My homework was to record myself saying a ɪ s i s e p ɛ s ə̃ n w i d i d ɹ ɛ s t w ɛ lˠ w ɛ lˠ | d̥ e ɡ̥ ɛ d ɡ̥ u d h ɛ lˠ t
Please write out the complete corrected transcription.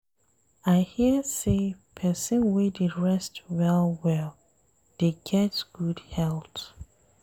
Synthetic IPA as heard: a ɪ h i s e pʰ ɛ s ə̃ n w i d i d ɹ ɛ s t w ɛ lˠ w ɛ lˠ | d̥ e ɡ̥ ɛ t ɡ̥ u d h ɛ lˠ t